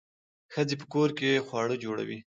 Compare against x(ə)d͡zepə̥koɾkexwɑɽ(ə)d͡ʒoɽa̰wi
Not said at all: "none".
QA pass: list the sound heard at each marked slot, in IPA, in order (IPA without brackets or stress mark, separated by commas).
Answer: ə, ə